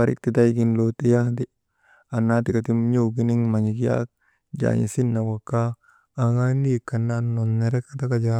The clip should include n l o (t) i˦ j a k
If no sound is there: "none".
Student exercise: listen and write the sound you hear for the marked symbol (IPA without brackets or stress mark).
t